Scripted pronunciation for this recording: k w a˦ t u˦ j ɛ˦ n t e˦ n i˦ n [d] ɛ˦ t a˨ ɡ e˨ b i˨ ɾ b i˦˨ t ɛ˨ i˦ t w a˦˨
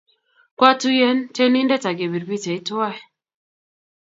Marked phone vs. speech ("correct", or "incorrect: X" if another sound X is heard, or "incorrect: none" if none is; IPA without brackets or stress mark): correct